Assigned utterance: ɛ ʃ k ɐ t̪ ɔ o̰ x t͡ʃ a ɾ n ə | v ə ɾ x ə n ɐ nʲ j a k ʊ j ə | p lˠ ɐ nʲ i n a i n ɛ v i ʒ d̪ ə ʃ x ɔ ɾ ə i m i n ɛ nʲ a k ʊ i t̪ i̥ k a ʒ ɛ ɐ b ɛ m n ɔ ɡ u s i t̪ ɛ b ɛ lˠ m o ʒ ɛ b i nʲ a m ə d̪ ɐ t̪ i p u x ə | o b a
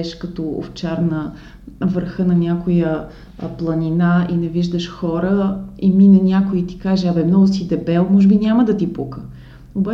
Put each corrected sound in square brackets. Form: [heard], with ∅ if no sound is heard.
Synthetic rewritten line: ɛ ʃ k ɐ t̪ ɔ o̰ [f] t͡ʃ a ɾ n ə | v ə ɾ x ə n ɐ nʲ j a k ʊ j ə | p lˠ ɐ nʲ i n a i n ɛ v i ʒ d̪ ə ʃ x ɔ ɾ ə i m i n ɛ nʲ a k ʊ i t̪ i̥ k a ʒ ɛ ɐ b ɛ m n ɔ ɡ [ʊ] s i [d̪] ɛ b ɛ lˠ m [ɔ] ʒ ɛ b i nʲ a m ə d̪ ɐ t̪ i p u [k] ə | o b a